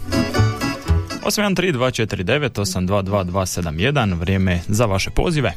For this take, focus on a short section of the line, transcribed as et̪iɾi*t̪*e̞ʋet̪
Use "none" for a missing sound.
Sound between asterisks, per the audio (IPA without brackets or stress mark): d̪